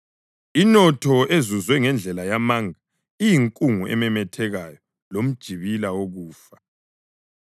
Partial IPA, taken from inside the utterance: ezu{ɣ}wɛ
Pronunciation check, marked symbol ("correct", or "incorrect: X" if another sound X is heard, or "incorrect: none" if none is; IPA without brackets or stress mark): incorrect: z